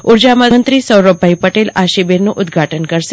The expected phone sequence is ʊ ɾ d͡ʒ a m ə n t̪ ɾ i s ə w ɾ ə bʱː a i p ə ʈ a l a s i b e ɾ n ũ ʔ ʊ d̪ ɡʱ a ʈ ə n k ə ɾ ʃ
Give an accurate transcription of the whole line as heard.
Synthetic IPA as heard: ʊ ɾ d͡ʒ a m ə n t̪ ɾ i s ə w ɾ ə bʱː a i p ə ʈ e l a ʃ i b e ɾ n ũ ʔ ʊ d̪ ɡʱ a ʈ ə n k ə ɾ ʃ